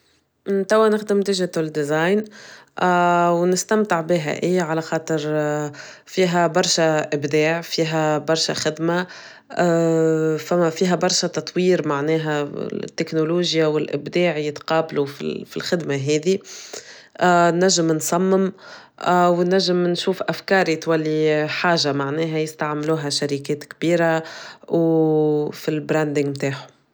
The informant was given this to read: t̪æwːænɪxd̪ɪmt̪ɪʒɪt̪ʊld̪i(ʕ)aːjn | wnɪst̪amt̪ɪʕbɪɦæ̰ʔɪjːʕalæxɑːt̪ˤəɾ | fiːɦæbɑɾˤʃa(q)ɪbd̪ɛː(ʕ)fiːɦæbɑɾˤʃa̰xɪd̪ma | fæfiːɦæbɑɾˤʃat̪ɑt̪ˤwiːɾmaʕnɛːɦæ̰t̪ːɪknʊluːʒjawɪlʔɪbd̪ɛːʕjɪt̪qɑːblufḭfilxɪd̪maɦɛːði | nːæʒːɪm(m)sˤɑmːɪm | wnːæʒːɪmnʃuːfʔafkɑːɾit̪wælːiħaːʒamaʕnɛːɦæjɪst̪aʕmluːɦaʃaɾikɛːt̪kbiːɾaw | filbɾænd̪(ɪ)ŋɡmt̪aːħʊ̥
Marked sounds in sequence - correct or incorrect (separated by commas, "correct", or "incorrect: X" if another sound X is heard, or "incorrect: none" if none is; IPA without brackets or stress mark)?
incorrect: z, incorrect: ʔ, correct, incorrect: n, correct